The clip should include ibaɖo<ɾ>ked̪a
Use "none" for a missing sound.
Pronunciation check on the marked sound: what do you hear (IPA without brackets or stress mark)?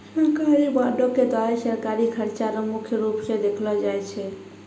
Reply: none